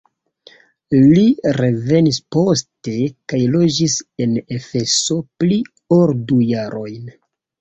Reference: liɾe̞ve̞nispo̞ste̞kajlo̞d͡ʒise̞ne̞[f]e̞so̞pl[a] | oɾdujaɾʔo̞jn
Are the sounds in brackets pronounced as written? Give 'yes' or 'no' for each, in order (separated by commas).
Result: yes, no